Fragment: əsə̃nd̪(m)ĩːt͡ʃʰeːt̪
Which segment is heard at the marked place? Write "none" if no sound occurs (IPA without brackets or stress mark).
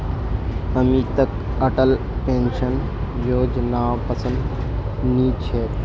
n